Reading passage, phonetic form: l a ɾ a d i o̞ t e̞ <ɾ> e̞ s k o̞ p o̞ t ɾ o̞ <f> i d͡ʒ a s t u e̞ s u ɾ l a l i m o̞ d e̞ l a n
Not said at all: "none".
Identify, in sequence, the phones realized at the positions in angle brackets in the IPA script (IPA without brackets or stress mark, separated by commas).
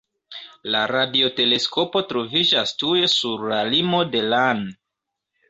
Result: l, v